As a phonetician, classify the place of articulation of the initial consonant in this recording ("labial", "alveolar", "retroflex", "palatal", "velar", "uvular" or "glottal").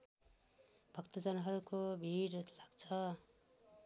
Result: labial